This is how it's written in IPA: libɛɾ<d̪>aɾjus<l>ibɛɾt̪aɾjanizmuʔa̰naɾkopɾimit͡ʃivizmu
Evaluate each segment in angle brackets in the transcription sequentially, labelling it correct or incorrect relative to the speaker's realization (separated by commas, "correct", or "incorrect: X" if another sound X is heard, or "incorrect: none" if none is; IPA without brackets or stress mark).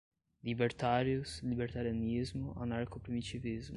incorrect: t̪, correct